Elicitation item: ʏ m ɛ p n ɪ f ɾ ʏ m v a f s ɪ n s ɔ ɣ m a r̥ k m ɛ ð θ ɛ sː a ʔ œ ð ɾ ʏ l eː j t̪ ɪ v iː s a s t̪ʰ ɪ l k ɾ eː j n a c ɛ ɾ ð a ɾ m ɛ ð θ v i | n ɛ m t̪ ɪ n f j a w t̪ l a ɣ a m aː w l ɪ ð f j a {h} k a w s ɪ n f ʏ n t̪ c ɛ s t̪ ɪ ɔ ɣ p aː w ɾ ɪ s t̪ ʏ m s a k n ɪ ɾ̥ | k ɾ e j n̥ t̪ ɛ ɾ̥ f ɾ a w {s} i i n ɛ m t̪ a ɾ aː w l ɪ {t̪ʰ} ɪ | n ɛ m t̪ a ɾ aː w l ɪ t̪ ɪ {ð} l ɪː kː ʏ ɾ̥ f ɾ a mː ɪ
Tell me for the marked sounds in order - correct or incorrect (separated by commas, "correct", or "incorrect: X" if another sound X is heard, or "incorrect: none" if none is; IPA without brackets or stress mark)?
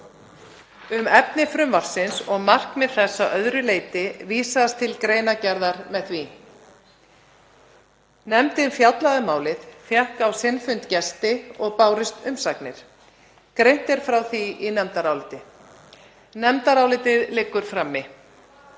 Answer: correct, incorrect: θ, incorrect: t̪, correct